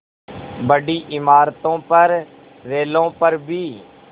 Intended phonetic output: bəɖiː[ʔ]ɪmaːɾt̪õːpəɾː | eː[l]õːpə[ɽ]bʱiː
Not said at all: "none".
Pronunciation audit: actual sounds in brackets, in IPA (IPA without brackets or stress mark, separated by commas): ʔ, l, ɾ